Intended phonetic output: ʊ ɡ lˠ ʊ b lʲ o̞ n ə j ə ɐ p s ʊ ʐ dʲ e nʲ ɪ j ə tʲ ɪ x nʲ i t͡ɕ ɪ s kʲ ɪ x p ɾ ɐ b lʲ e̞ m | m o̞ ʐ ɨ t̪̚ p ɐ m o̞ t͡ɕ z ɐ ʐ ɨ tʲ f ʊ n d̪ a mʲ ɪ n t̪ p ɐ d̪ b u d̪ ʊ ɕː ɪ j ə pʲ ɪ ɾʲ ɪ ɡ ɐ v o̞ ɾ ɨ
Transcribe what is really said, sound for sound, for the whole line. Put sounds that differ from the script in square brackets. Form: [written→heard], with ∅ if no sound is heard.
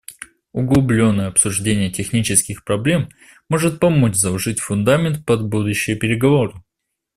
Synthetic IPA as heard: ʊ ɡ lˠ ʊ b lʲ o̞ [n→nː] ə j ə ɐ p s ʊ ʐ dʲ e nʲ ɪ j ə tʲ ɪ x nʲ i t͡ɕ ɪ s kʲ ɪ x p ɾ ɐ b lʲ e̞ m | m o̞ ʐ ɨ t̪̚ p ɐ m o̞ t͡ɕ z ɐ ʐ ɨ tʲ f ʊ n d̪ a mʲ ɪ n t̪ p ɐ d̪ b u d̪ ʊ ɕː ɪ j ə pʲ ɪ ɾʲ ɪ ɡ ɐ v o̞ ɾ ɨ